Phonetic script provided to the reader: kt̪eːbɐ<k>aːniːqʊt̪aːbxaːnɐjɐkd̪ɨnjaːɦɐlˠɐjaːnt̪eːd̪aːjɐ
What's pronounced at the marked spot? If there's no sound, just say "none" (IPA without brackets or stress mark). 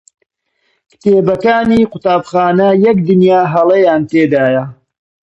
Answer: k